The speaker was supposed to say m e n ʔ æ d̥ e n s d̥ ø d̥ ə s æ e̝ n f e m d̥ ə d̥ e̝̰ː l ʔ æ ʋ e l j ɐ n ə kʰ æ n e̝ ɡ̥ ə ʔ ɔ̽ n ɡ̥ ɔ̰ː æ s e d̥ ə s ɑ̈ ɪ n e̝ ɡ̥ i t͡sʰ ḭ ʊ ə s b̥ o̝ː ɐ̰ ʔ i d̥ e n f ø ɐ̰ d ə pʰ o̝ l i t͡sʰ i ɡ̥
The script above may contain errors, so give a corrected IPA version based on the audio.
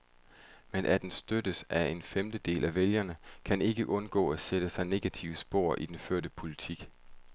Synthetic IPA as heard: m e n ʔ æ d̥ e n s d̥ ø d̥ ə s æ e̝ n f e m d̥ ə d̥ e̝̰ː l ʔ æ ʋ e l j ɐ n ə kʰ æ n e̝ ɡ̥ ə ʔ ɔ̽ n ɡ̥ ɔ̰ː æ s e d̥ ə s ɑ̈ ɪ n e̝ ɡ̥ æ t͡sʰ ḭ ʊ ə s b̥ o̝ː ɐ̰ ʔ i d̥ e n f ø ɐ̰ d ə pʰ o̝ l i t͡sʰ i ɡ̥